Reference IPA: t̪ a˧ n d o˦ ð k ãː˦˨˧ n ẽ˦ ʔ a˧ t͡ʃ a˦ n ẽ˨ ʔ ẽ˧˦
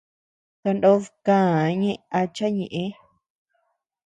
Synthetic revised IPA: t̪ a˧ n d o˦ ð k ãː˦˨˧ ɲ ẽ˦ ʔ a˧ t͡ʃ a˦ ɲ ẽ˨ ʔ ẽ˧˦